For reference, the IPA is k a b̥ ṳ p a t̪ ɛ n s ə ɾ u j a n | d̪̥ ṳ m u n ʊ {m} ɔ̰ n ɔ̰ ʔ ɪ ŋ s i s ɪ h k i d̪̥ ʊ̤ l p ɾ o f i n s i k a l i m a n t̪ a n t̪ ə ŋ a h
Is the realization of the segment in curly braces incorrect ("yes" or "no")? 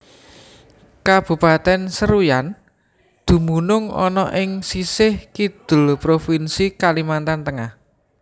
yes